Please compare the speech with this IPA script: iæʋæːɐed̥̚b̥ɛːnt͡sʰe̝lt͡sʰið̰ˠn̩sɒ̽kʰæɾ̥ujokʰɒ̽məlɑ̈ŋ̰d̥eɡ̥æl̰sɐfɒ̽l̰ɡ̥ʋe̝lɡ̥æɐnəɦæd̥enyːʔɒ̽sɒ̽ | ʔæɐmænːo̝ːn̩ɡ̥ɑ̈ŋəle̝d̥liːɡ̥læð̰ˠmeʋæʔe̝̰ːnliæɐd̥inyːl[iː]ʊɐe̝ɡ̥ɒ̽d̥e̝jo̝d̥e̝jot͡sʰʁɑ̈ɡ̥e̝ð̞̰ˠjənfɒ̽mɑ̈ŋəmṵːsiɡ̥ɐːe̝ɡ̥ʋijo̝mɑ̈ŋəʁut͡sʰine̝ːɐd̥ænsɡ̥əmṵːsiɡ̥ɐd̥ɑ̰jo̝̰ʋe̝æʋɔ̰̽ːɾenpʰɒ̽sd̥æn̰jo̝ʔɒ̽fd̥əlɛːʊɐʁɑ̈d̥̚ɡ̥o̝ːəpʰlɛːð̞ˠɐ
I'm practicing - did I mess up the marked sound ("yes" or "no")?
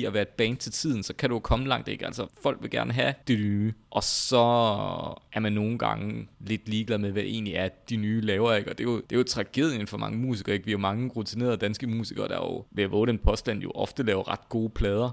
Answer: yes